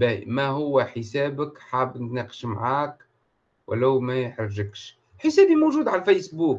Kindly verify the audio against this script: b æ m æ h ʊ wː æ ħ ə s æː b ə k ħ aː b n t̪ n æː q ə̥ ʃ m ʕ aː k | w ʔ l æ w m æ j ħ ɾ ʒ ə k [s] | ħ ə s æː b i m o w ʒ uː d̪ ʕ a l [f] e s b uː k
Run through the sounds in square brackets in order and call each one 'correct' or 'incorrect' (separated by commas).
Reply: incorrect, correct